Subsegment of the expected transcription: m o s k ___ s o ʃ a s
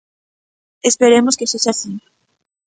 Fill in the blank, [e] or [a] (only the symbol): e